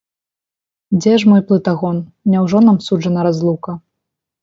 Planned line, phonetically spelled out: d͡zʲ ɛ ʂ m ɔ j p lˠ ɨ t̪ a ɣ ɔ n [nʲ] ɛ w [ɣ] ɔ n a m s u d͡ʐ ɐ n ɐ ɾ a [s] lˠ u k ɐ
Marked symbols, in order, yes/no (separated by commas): yes, no, no